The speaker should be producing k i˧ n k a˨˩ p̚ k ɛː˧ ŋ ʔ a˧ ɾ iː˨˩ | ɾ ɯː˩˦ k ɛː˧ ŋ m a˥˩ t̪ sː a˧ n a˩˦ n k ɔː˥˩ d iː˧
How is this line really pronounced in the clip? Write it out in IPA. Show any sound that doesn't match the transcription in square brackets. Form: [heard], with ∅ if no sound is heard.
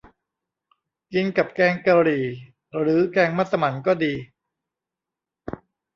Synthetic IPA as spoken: k i˧ n k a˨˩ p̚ k ɛː˧ ŋ [k] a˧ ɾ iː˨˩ | ɾ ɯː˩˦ k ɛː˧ ŋ m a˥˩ t̪ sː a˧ [m] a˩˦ n k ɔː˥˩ d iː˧